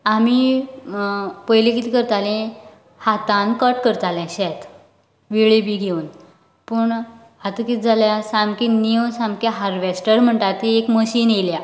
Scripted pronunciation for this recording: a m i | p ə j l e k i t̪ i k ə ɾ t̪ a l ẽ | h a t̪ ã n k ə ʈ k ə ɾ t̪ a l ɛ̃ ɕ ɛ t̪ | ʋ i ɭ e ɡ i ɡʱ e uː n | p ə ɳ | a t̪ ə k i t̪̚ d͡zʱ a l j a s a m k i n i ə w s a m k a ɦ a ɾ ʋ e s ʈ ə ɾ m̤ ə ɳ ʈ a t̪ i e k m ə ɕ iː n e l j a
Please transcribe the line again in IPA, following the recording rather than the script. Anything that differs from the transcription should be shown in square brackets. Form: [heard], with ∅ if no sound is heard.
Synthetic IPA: a m i | p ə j l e k i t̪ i k ə ɾ t̪ a l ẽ | h a t̪ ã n k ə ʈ k ə ɾ t̪ a l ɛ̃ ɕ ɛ t̪ | ʋ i ɭ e [b] i ɡʱ e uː n | p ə ɳ | a t̪ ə k i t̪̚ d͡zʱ a l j a s a m k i n i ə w s a m k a ɦ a ɾ ʋ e s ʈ ə ɾ m̤ ə ɳ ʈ a t̪ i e k m ə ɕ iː n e l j a